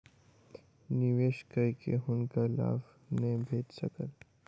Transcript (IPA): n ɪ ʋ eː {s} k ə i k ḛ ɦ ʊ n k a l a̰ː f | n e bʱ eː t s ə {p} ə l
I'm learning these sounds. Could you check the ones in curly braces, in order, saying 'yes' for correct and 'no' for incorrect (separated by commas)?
no, no